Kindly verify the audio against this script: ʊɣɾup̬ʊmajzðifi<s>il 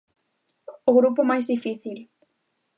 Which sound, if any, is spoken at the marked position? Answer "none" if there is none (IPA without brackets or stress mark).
θ